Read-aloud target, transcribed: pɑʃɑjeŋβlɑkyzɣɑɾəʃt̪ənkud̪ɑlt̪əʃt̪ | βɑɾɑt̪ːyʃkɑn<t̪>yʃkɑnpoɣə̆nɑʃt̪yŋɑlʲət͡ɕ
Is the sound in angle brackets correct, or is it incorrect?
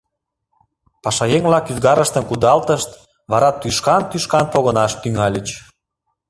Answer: correct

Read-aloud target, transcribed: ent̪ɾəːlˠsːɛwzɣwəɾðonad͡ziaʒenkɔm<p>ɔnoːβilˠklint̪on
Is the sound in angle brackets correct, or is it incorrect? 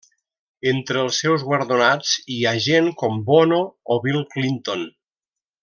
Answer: incorrect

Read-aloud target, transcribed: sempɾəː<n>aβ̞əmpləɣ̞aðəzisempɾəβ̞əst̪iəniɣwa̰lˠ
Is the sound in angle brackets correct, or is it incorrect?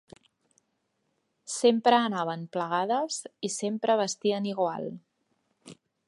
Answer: correct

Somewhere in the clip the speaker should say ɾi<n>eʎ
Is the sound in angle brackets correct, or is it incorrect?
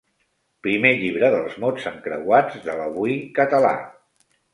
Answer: incorrect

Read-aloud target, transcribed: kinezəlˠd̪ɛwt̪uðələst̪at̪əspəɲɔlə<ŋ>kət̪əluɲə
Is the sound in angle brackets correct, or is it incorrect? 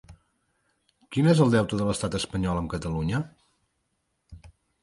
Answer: incorrect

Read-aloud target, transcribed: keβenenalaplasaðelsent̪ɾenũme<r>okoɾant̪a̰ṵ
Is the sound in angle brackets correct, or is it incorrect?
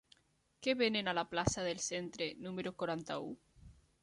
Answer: incorrect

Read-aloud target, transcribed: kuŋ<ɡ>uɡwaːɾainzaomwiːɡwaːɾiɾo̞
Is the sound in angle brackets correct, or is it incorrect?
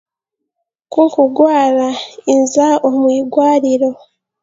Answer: incorrect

